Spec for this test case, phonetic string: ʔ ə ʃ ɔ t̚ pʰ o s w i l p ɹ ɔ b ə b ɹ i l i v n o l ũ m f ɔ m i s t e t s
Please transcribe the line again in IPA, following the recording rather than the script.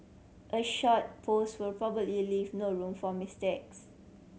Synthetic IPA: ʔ ə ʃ ɔ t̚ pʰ o s w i l p ɹ ɔ b ə b l i l i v n o ɹ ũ m f ɔ m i s t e k s